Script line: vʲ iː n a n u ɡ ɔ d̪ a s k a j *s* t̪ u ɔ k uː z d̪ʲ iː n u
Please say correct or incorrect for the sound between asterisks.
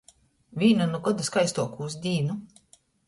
correct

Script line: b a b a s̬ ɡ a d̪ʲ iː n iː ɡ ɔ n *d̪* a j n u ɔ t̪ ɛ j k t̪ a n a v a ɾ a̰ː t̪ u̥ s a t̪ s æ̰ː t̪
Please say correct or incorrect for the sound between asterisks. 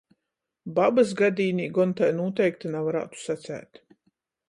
incorrect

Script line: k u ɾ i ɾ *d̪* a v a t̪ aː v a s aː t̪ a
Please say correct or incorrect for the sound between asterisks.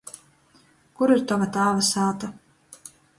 incorrect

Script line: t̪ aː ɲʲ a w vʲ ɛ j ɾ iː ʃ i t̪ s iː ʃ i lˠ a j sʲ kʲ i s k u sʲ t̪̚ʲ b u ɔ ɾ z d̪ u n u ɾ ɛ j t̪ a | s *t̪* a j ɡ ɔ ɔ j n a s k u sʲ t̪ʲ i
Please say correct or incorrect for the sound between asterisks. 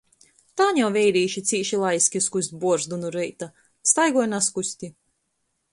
correct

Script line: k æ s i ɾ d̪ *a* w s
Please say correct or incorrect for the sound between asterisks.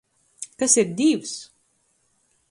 incorrect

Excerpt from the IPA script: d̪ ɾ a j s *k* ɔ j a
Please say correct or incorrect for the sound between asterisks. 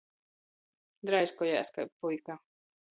correct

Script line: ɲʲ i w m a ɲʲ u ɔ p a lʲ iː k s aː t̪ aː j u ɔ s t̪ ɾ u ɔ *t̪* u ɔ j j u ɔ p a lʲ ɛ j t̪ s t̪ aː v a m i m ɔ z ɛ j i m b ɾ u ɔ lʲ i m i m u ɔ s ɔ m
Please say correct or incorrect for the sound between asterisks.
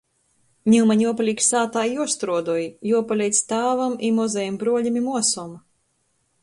incorrect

